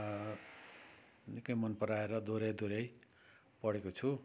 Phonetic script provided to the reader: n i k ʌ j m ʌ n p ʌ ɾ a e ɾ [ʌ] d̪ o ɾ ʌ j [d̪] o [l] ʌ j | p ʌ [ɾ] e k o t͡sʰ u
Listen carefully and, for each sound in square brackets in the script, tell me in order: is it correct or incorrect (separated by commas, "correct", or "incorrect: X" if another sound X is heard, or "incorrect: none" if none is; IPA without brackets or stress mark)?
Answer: correct, correct, incorrect: ɾ, incorrect: ɽ